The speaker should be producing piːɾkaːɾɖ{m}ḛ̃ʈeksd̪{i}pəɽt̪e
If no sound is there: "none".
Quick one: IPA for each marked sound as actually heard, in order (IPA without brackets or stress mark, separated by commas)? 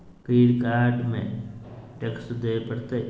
m, e